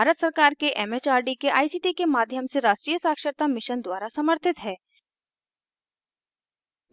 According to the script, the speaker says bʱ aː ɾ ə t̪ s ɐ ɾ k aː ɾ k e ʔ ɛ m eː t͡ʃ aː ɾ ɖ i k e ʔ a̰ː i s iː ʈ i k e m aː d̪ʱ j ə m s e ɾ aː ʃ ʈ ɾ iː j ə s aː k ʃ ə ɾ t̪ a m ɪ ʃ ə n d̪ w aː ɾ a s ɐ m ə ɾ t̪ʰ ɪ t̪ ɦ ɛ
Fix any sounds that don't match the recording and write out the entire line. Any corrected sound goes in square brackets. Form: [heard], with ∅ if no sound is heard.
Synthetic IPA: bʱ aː ɾ ə t̪ s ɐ ɾ k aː ɾ k e ʔ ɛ m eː t͡ʃ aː ɾ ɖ i k e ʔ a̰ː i s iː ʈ i k e m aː d̪ʱ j ə m s e ɾ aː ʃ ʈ ɾ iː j ə s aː k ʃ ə ɾ t̪ a m ɪ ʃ ə n d̪ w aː ɾ a s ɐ m ə ɾ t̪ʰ ɪ t̪ ɦ [ɛː]

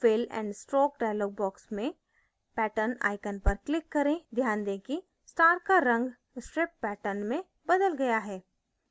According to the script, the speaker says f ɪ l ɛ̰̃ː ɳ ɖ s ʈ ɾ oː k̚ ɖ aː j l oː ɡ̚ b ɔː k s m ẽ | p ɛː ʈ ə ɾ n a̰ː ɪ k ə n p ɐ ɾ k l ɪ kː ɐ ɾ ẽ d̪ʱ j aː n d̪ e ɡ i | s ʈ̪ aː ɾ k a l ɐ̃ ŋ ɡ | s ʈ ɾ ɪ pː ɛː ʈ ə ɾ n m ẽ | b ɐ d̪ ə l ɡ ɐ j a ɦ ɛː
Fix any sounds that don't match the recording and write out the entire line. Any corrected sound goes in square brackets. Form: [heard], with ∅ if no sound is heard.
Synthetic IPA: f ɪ l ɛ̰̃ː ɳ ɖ s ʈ ɾ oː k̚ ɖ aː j l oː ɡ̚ b ɔː k s m ẽ | p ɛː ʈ ə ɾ n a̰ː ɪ k ə n p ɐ ɾ k l ɪ kː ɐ ɾ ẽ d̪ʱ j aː n d̪ e [k] i | s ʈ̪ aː ɾ k a [ɾ] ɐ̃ ŋ ɡ | s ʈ ɾ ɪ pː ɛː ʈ ə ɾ n m ẽ | b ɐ d̪ ə l ɡ ɐ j a ɦ ɛː

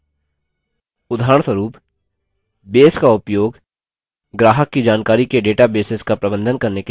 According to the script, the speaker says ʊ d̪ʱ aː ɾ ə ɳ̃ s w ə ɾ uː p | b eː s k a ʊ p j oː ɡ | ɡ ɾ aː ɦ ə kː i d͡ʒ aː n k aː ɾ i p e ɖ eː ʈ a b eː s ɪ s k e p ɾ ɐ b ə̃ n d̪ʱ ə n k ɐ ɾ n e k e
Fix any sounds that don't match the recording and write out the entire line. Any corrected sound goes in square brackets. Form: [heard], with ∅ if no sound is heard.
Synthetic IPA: ʊ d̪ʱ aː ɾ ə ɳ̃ s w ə ɾ uː p | b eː s k a ʊ p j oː ɡ | ɡ ɾ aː ɦ ə kː i d͡ʒ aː n k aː ɾ i [k] e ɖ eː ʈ a b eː s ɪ s k [a] p ɾ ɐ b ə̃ n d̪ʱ ə n k ɐ ɾ n e k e

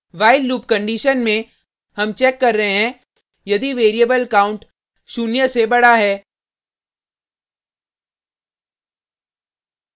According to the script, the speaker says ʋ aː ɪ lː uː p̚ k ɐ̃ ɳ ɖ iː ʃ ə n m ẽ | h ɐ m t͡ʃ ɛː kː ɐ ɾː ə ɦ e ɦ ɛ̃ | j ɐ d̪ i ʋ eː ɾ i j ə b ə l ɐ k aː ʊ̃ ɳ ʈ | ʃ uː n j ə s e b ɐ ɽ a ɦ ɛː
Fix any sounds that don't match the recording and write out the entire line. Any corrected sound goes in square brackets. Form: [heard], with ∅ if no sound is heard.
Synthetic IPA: ʋ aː ɪ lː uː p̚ k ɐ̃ ɳ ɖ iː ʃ ə n m ẽ | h ɐ m t͡ʃ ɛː kː ɐ ɾː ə ɦ e ɦ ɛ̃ | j ɐ d̪ i ʋ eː ɾ i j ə b ə l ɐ k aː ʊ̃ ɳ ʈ | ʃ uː n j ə s e b ɐ ɽ a ɦ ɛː

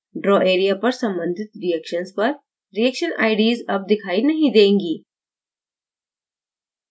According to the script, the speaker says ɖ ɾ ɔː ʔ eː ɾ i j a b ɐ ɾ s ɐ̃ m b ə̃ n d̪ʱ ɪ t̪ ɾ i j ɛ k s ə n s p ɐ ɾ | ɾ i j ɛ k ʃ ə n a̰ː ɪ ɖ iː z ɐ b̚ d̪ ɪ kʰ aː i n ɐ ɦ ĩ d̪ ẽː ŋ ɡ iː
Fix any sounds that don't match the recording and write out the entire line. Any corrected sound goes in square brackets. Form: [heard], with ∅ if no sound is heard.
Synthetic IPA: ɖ ɾ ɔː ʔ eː ɾ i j a [p] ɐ ɾ s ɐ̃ m b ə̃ n d̪ʱ ɪ t̪ ɾ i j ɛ k [ʃ] ə n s p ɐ ɾ | ɾ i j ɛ k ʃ ə n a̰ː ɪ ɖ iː z ɐ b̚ d̪ ɪ kʰ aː i n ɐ ɦ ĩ d̪ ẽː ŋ ɡ iː

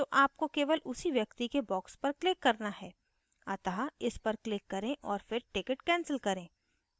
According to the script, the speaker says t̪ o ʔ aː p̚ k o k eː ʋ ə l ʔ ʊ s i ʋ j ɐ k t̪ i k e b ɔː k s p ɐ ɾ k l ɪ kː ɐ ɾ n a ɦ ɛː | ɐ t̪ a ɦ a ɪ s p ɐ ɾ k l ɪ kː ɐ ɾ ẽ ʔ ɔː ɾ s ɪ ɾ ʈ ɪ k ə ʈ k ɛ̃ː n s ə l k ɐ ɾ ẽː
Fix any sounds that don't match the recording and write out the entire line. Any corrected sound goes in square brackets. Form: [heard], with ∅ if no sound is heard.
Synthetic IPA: t̪ o ʔ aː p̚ k o k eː ʋ ə l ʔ ʊ s i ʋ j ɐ k t̪ i k e b ɔː k s p ɐ ɾ k l ɪ kː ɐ ɾ n a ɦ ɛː | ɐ t̪ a ɦ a ɪ s p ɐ ɾ k l ɪ kː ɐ ɾ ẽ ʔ ɔː ɾ [f] ɪ ɾ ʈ ɪ k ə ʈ k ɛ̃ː n s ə l k ɐ ɾ ẽː

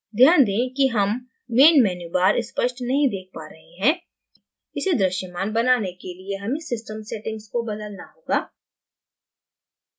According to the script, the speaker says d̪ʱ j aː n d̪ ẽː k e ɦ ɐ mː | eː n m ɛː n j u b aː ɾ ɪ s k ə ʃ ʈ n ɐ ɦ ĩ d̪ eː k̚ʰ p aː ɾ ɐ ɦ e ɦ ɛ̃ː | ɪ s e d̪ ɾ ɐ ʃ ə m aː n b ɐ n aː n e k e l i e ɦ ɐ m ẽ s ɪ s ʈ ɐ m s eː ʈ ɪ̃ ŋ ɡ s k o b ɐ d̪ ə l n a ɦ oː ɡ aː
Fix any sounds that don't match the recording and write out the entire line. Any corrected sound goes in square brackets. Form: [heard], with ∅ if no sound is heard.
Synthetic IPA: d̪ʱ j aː n d̪ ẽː k [i] ɦ ɐ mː | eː n m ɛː n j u b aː ɾ ɪ s [p] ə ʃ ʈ n ɐ ɦ ĩ d̪ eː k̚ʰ p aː ɾ ɐ ɦ e ɦ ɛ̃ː | ɪ s e d̪ ɾ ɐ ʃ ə m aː n b ɐ n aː n e k e l i e ɦ ɐ m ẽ s ɪ s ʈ [ə] m s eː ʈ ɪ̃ ŋ ɡ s k o b ɐ d̪ ə l n a ɦ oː ɡ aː

